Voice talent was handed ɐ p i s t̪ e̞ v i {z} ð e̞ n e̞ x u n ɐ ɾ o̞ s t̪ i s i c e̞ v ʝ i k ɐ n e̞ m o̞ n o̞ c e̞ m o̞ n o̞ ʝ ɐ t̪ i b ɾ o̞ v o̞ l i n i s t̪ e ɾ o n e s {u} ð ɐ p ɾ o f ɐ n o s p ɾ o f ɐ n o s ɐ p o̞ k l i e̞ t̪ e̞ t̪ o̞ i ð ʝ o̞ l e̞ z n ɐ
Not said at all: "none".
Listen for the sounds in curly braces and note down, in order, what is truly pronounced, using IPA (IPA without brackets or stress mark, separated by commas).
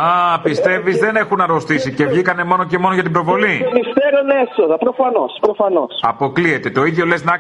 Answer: z, o